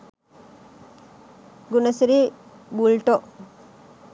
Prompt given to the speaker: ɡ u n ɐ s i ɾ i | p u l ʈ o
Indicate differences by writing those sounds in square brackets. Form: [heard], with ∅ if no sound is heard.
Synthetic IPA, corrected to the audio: ɡ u n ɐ s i ɾ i | [b] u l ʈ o